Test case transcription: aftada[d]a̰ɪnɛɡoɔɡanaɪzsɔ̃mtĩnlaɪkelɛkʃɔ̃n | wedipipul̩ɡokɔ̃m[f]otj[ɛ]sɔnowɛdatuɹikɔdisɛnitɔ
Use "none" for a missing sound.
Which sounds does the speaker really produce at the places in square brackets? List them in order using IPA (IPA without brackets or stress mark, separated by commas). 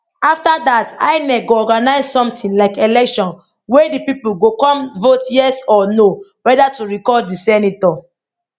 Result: t, v, ɛ